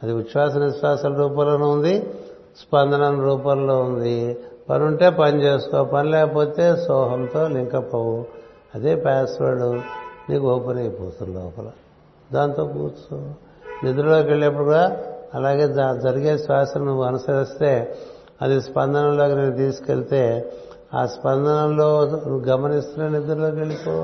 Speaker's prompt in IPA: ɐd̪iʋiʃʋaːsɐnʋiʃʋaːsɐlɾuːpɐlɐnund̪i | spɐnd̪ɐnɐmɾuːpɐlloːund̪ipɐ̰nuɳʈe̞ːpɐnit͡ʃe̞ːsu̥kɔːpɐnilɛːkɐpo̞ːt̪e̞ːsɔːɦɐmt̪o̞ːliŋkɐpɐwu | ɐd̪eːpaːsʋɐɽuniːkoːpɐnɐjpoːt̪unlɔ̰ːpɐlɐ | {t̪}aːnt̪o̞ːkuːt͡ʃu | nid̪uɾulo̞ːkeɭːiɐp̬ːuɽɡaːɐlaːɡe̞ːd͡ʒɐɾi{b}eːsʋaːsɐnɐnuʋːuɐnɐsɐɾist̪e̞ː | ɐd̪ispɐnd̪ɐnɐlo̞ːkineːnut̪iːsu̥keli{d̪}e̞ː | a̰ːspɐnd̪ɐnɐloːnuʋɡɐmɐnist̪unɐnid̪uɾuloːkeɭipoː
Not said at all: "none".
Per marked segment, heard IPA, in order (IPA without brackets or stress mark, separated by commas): d̪, ɡ, t̪